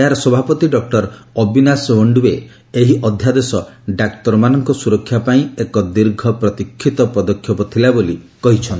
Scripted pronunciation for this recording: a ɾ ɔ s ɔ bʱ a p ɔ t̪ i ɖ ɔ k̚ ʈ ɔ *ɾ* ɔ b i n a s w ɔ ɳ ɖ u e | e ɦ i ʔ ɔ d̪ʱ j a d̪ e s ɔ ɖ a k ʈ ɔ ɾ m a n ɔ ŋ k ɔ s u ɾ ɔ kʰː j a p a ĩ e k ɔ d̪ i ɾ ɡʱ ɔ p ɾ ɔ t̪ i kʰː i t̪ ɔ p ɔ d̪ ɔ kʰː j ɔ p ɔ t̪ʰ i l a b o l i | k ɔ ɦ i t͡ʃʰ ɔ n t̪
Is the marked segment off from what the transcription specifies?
no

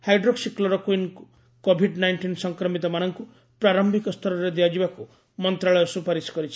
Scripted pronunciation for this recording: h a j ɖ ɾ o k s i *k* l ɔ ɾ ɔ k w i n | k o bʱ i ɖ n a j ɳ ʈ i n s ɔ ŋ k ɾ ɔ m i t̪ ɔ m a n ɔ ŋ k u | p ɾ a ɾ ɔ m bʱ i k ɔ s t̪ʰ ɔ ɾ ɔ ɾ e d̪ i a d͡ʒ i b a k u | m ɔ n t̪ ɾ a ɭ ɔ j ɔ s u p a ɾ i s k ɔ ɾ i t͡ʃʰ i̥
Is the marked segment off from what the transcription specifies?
no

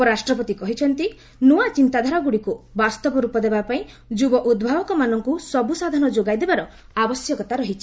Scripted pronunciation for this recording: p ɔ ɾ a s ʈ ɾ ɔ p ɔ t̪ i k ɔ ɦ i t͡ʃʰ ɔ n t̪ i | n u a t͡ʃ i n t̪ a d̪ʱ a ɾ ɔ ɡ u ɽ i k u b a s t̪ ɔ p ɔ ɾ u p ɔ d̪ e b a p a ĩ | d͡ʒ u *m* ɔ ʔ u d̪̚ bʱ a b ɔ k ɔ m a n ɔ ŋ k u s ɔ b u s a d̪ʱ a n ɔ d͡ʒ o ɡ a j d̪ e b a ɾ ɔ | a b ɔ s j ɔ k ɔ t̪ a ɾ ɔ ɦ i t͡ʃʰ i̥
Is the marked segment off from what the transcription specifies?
yes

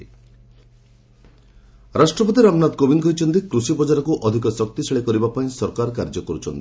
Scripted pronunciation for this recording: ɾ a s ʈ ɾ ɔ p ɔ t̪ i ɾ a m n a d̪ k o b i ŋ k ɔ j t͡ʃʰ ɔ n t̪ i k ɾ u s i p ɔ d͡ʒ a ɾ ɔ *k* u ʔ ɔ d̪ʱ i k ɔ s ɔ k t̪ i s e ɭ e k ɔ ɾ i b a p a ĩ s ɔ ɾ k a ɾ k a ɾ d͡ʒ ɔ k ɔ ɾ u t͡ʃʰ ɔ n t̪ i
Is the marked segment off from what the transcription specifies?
no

